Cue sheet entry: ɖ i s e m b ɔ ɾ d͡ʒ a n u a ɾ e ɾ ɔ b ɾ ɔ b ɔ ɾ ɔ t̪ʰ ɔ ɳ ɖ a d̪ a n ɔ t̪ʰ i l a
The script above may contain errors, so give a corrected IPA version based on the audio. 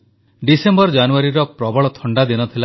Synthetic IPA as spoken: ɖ i s e m b ɔ ɾ d͡ʒ a n u a ɾ i ɾ ɔ p ɾ ɔ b ɔ ɭ ɔ t̪ʰ ɔ ɳ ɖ a d̪ i n ɔ t̪ʰ i l a